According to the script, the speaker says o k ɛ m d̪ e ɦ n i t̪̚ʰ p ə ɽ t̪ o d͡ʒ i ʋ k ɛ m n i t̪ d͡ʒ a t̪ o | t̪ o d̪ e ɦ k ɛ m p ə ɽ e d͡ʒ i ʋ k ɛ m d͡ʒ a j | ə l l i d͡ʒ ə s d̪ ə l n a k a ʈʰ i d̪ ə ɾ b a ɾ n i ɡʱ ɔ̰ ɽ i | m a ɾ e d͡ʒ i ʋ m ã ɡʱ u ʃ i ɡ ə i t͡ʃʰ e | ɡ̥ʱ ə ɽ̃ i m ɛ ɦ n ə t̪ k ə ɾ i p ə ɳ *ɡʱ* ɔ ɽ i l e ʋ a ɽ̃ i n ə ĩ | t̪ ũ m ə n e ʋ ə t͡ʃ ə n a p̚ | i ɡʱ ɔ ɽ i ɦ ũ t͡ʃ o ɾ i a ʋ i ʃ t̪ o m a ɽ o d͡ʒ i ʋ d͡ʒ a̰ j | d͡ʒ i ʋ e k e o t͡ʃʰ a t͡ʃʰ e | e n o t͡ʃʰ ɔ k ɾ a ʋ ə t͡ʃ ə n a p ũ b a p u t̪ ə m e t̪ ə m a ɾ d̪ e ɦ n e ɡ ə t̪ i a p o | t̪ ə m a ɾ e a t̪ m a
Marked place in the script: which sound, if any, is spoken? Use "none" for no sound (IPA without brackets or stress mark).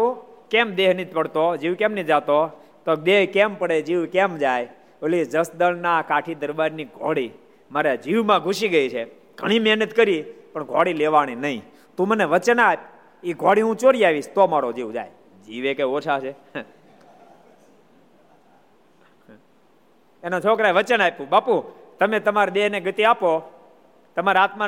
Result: ɡʱ